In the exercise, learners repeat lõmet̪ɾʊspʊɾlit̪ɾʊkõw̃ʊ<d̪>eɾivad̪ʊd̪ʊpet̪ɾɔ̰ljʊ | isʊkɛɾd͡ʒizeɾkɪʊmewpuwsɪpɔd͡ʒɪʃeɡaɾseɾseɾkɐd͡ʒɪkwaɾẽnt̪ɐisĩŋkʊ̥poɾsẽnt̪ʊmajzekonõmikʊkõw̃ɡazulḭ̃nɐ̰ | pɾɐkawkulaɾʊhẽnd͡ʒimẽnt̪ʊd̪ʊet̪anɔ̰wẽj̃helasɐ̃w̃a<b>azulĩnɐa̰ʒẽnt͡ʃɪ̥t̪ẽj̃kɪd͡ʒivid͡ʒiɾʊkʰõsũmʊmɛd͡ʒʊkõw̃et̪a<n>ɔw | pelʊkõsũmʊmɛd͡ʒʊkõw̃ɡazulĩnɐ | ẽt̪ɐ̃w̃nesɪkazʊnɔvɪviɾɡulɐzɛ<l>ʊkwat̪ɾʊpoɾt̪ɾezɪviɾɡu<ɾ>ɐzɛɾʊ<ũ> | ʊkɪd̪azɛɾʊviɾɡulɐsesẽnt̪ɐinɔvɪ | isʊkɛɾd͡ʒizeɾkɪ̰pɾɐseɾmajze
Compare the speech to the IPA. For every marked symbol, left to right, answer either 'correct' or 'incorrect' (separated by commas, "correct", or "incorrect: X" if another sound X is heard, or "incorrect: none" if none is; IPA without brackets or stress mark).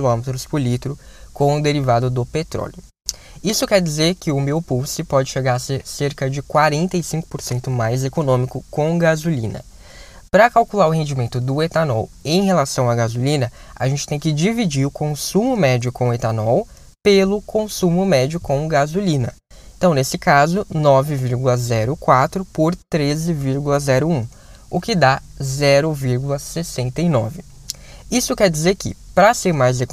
correct, incorrect: ɡ, correct, incorrect: ɾ, incorrect: l, correct